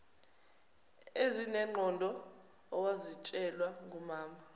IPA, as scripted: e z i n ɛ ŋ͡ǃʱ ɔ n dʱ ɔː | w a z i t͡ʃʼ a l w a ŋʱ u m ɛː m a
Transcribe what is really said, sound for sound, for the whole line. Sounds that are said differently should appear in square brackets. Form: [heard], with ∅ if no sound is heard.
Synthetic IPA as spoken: e z i n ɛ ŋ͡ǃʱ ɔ n dʱ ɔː | w a z i t͡ʃʼ [ɛ] l w a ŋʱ u m [aː] m a